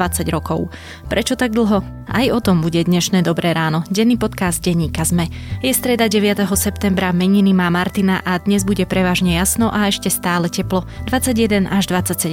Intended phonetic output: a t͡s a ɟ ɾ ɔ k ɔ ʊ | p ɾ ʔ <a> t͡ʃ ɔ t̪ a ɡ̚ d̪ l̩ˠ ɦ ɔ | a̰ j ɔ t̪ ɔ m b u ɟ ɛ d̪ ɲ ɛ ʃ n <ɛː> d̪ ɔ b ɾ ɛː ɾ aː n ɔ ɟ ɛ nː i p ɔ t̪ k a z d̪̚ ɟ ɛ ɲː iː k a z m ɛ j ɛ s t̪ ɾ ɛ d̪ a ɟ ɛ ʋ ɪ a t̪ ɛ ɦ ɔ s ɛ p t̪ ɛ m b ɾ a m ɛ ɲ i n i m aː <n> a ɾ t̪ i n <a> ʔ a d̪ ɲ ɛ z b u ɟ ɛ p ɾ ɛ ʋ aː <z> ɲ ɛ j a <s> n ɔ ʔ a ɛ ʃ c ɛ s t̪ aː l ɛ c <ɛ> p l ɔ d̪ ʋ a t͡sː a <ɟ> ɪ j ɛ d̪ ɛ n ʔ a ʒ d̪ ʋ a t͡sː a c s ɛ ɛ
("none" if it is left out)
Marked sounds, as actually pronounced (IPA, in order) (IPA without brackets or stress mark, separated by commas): ɛ, ɛː, m, a, ʒ, s, ɛ, ɟ